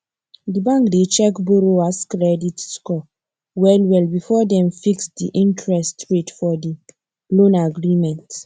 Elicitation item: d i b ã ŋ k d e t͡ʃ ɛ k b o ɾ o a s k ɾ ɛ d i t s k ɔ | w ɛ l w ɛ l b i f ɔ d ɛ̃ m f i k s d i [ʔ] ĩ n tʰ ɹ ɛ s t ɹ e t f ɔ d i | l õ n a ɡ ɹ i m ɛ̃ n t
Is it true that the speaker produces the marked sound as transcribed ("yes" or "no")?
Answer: yes